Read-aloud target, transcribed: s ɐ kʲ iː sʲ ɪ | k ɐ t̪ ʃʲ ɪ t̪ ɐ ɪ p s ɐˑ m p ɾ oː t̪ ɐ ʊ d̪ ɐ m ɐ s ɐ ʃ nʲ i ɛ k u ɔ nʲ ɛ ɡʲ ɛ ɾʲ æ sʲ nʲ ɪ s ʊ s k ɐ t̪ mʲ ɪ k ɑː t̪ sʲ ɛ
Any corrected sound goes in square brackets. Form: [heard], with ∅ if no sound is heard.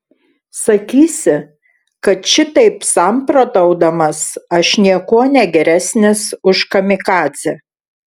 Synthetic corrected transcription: s ɐ kʲ iː sʲ ɪ | k ɐ t̪ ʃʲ ɪ t̪ ɐ ɪ p s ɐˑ m p ɾ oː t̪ ɐ ʊ d̪ ɐ m ɐ s ɐ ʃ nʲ i ɛ k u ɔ nʲ ɛ ɡʲ ɛ ɾʲ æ sʲ nʲ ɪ s ʊ [ʃ] k ɐ [∅] mʲ ɪ k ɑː t̪ sʲ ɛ

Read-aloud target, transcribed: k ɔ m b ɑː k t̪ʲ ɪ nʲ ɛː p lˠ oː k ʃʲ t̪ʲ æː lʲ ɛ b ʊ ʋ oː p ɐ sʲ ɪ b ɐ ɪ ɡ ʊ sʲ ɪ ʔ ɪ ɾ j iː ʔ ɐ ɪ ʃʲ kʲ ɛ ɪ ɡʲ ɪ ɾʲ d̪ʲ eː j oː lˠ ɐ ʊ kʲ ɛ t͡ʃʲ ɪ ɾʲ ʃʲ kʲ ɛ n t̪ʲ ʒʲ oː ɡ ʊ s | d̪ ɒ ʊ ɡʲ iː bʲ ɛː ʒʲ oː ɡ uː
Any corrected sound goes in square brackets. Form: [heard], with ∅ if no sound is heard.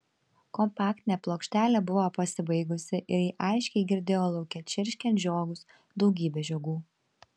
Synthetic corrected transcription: k ɔ m [p] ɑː k t̪ʲ ɪ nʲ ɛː p lˠ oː k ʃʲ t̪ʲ æː lʲ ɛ b ʊ ʋ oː p ɐ sʲ ɪ b ɐ ɪ ɡ ʊ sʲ ɪ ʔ ɪ ɾ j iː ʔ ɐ ɪ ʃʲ kʲ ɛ ɪ ɡʲ ɪ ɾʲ d̪ʲ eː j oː lˠ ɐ ʊ kʲ ɛ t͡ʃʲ ɪ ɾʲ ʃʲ kʲ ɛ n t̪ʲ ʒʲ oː ɡ ʊ s | d̪ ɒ ʊ ɡʲ iː bʲ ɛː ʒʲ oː ɡ uː

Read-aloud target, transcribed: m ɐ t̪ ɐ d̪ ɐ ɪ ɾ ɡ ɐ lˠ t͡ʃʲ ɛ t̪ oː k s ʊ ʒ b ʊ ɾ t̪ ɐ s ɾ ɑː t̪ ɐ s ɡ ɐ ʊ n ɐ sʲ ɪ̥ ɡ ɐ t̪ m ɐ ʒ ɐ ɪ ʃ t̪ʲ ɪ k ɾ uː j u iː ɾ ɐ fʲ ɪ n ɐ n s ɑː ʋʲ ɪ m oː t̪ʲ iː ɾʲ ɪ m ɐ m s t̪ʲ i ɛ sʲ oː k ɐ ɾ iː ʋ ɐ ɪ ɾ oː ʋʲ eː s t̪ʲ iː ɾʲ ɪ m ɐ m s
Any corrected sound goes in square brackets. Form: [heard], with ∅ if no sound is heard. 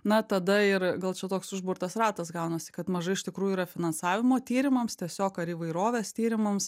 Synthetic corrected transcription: [n] ɐ t̪ ɐ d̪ ɐ ɪ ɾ ɡ ɐ lˠ t͡ʃʲ ɛ t̪ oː k s ʊ ʒ b ʊ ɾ t̪ ɐ s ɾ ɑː t̪ ɐ s ɡ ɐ ʊ n ɐ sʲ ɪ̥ [k] ɐ t̪ m ɐ ʒ ɐ ɪ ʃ t̪ʲ ɪ k ɾ uː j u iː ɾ ɐ fʲ ɪ n ɐ n s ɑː ʋʲ ɪ m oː t̪ʲ iː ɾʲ ɪ m ɐ m s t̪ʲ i ɛ sʲ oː k ɐ ɾ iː ʋ ɐ ɪ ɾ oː ʋʲ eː s t̪ʲ iː ɾʲ ɪ m ɐ m s

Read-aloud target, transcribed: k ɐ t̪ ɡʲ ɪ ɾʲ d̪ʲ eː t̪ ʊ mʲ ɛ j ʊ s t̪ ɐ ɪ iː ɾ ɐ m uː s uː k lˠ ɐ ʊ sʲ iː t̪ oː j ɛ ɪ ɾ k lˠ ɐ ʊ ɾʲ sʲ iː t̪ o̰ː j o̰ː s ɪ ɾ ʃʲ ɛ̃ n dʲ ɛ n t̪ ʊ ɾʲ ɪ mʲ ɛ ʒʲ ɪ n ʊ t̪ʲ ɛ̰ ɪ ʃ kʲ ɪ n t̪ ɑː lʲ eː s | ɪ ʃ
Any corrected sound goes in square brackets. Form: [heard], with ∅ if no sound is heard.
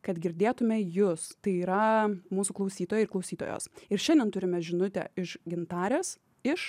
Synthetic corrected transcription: k ɐ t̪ ɡʲ ɪ ɾʲ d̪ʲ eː t̪ ʊ mʲ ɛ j ʊ s t̪ ɐ ɪ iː ɾ ɐ m uː s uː k lˠ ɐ ʊ sʲ iː t̪ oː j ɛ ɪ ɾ k lˠ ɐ ʊ [∅] sʲ iː t̪ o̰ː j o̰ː s ɪ ɾ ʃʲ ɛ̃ n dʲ ɛ n t̪ ʊ ɾʲ ɪ mʲ ɛ ʒʲ ɪ n ʊ t̪ʲ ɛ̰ ɪ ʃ [ɡʲ] ɪ n t̪ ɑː [ɾʲ] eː s | ɪ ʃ

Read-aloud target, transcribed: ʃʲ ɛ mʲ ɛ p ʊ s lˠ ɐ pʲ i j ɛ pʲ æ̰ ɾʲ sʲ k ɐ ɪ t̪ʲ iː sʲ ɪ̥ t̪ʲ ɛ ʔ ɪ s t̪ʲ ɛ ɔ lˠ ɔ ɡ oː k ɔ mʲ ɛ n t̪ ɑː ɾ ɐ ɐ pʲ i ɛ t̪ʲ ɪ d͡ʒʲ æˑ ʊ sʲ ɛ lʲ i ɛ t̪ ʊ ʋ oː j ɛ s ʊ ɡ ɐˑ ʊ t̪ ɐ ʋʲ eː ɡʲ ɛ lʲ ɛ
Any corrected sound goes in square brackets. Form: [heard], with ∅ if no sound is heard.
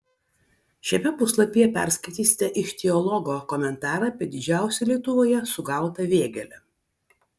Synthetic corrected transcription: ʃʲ ɛ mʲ ɛ p ʊ s lˠ ɐ pʲ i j ɛ pʲ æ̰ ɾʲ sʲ k ɐ ɪ t̪ʲ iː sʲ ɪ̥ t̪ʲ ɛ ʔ ɪ [ʃ] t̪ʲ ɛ ɔ lˠ ɔ ɡ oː k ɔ mʲ ɛ n t̪ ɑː ɾ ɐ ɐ pʲ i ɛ [d̪ʲ] ɪ d͡ʒʲ æˑ ʊ sʲ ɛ lʲ i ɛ t̪ ʊ ʋ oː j ɛ s ʊ ɡ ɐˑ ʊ t̪ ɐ ʋʲ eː ɡʲ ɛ lʲ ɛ

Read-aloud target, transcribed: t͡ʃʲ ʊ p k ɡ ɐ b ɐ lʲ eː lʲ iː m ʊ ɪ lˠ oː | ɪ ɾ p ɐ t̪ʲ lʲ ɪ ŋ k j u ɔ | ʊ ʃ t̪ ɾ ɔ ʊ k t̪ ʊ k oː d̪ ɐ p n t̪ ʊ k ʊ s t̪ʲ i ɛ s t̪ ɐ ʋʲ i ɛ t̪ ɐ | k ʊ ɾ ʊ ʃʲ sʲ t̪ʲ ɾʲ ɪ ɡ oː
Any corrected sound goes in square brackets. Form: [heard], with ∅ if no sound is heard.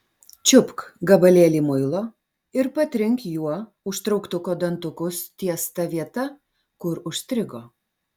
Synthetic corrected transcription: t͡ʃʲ ʊ p k ɡ ɐ b ɐ lʲ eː lʲ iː m ʊ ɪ lˠ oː | ɪ ɾ p ɐ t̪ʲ [ɾʲ] ɪ ŋ k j u ɔ | ʊ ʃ t̪ ɾ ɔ ʊ k t̪ ʊ k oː d̪ ɐ [∅] n t̪ ʊ k ʊ s t̪ʲ i ɛ s t̪ ɐ ʋʲ i ɛ t̪ ɐ | k ʊ ɾ ʊ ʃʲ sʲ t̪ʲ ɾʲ ɪ ɡ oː

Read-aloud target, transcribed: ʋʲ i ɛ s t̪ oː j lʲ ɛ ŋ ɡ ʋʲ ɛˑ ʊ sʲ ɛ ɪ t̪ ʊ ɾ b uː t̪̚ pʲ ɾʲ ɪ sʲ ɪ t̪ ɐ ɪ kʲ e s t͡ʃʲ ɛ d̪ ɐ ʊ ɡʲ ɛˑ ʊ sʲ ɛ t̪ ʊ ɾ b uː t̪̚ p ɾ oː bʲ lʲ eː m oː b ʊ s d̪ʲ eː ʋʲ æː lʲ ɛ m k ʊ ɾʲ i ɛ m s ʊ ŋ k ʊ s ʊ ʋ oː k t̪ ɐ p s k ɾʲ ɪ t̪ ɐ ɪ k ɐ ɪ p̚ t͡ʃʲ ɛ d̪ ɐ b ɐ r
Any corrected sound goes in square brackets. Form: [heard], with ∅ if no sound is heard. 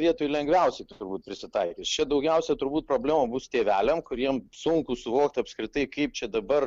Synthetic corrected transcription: ʋʲ i ɛ [∅] t̪ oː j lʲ ɛ ŋ ɡ ʋʲ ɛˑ ʊ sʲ ɛ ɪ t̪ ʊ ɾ b uː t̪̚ pʲ ɾʲ ɪ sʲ ɪ t̪ ɐ ɪ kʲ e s t͡ʃʲ ɛ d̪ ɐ ʊ ɡʲ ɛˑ ʊ sʲ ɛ t̪ ʊ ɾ b uː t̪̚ p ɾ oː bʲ lʲ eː m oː b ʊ s [t̪ʲ] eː ʋʲ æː lʲ ɛ m k ʊ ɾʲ i ɛ m s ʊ ŋ k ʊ s ʊ ʋ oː k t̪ ɐ p s k ɾʲ ɪ t̪ ɐ ɪ k ɐ ɪ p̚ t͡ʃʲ ɛ d̪ ɐ b ɐ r

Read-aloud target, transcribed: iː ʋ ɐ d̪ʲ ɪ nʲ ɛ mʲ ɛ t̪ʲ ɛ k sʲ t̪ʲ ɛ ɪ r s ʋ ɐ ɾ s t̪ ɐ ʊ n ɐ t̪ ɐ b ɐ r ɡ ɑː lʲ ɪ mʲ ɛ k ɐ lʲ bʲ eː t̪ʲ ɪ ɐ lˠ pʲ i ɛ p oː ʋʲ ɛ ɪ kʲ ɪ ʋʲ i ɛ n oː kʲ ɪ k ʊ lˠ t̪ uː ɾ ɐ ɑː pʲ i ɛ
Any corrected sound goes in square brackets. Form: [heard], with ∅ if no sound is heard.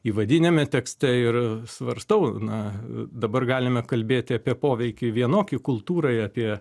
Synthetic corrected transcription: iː ʋ ɐ d̪ʲ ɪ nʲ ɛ mʲ ɛ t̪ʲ ɛ k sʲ t̪ʲ ɛ ɪ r s ʋ ɐ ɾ s t̪ ɐ ʊ n ɐ [d̪] ɐ b ɐ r ɡ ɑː lʲ ɪ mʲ ɛ k ɐ lʲ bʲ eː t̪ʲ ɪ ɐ [∅] pʲ i ɛ p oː ʋʲ ɛ ɪ kʲ ɪ ʋʲ i ɛ n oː kʲ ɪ k ʊ lˠ t̪ uː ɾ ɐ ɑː pʲ i ɛ

